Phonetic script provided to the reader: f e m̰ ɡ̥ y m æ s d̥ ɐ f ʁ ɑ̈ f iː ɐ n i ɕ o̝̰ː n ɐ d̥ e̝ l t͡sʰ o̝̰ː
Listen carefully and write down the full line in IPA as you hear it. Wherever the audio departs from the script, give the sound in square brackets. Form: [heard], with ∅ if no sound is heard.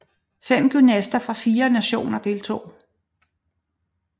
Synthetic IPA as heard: f e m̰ ɡ̥ y [n] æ s d̥ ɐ f ʁ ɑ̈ f iː ɐ n [æ] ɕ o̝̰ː n ɐ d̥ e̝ l t͡sʰ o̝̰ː

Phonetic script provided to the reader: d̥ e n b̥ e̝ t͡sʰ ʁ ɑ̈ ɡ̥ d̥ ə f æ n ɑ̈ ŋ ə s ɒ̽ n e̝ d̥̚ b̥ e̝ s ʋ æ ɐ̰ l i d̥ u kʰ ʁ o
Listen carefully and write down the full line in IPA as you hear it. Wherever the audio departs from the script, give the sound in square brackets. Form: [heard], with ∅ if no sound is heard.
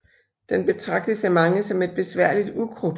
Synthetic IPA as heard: d̥ e n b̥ e̝ t͡sʰ ʁ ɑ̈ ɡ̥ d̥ ə [s] æ [m] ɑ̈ ŋ ə s ɒ̽ [m] e̝ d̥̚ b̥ e̝ s ʋ æ ɐ̰ l i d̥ u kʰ ʁ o

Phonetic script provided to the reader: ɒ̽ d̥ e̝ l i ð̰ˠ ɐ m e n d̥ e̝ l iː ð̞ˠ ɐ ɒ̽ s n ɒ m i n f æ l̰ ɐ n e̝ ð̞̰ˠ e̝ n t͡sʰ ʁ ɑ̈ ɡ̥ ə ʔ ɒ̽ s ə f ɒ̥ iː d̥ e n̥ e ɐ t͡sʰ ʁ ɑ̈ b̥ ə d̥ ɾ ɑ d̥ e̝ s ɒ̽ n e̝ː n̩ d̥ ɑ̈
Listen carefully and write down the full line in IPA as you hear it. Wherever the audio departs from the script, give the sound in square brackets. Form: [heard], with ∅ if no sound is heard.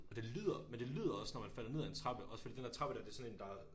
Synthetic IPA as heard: ɒ̽ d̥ e̝ l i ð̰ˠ ɐ m e n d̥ e̝ l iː ð̞ˠ ɐ ɒ̽ s n ɒ m [æ] n f æ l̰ ɐ n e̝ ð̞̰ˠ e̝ n t͡sʰ ʁ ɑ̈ [b̥] ə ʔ ɒ̽ s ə f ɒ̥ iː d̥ e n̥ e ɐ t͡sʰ ʁ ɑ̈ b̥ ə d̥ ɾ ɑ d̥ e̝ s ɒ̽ n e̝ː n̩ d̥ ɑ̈

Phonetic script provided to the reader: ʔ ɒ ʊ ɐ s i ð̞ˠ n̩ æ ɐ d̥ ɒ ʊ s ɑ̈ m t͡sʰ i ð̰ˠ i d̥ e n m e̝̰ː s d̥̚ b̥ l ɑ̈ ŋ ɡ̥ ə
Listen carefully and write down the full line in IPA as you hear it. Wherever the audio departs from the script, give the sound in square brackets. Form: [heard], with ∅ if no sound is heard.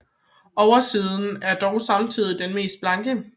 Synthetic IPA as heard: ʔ ɒ ʊ ɐ s i ð̞ˠ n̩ æ ɐ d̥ ɒ ʊ s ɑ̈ m t͡sʰ i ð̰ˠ i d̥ e n m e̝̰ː s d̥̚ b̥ l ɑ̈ ŋ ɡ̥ ə

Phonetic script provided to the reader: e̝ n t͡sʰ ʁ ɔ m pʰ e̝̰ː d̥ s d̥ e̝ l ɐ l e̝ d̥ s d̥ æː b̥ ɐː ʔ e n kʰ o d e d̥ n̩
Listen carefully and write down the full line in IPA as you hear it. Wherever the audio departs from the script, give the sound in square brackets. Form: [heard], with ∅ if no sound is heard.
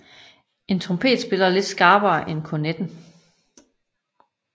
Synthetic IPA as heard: e̝ n t͡sʰ ʁ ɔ m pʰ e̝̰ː d̥ s [b̥] e̝ l ɐ l e̝ d̥ s [ɡ̥] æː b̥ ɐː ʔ e n kʰ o [n] e d̥ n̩

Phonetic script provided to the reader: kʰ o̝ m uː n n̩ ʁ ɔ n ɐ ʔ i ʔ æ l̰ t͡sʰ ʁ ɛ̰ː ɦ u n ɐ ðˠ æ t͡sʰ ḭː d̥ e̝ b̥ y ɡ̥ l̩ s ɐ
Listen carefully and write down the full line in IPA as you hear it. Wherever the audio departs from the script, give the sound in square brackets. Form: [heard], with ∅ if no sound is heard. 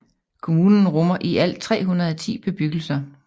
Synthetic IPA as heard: kʰ o̝ m uː n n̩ ʁ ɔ [m] ɐ ʔ i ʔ æ l̰ t͡sʰ ʁ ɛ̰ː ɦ u n ɐ ðˠ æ t͡sʰ ḭː [b̥] e̝ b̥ y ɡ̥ l̩ s ɐ

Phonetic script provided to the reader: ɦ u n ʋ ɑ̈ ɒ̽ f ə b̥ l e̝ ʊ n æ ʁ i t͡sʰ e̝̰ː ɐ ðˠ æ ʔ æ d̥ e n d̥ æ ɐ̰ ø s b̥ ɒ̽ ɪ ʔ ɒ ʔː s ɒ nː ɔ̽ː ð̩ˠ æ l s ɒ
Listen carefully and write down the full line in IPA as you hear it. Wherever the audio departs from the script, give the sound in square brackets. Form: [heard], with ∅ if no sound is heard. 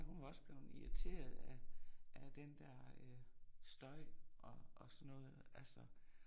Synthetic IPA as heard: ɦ u n ʋ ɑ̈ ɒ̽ [s] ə b̥ l e̝ ʊ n [i] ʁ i t͡sʰ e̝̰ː ɐ ðˠ æ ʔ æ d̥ e n d̥ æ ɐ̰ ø s [d̥] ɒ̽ ɪ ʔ ɒ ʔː s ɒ nː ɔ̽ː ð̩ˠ æ l s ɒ

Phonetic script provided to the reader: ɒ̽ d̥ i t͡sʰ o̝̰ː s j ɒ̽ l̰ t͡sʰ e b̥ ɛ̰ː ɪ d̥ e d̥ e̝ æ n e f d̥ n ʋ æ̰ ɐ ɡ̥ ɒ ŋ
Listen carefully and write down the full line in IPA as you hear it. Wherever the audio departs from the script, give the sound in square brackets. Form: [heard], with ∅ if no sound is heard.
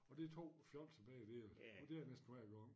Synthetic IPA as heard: ɒ̽ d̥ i t͡sʰ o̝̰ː [f] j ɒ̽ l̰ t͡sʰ e b̥ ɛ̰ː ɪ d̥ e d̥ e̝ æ n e [s] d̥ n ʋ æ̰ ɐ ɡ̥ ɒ ŋ

